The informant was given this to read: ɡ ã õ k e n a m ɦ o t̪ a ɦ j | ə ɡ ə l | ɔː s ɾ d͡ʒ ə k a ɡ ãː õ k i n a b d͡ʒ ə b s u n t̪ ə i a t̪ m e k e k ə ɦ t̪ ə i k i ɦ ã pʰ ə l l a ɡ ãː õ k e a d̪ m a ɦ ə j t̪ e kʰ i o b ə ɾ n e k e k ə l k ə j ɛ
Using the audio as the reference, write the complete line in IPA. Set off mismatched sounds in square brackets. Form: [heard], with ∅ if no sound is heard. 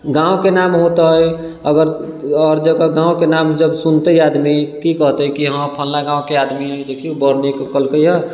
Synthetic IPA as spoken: ɡ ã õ k e n a m ɦ o t̪ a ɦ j | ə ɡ ə [ɾ] | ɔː [∅] ɾ d͡ʒ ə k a ɡ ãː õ k [e] n a [m] d͡ʒ ə b s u n t̪ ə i a [d̪] m [i] k [i] k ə ɦ t̪ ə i k i ɦ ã pʰ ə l l a ɡ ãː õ k e a d̪ m [i] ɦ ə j [d̪] e kʰ i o b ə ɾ n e k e k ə l k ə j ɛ